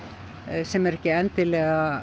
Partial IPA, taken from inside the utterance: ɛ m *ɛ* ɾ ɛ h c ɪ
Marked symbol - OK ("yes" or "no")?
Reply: yes